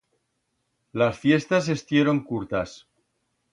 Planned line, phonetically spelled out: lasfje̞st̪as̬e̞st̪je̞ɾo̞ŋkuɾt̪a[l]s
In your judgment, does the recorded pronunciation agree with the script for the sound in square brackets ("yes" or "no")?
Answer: no